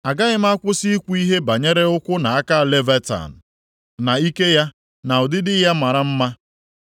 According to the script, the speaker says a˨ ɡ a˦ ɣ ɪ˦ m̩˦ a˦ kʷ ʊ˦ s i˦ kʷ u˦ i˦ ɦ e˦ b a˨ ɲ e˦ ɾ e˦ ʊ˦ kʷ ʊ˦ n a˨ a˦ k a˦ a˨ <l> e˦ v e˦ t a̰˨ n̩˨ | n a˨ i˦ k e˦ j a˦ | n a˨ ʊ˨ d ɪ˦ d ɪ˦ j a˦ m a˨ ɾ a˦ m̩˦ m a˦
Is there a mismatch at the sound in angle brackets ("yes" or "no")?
no